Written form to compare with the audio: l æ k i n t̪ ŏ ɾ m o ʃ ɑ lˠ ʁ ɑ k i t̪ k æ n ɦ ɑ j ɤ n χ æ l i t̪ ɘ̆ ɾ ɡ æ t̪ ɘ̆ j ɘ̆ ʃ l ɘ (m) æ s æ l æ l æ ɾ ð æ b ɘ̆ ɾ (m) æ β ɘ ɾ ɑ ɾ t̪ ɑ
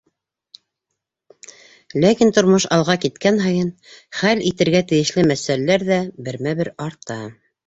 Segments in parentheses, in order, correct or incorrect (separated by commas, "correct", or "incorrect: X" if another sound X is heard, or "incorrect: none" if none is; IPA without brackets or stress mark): correct, correct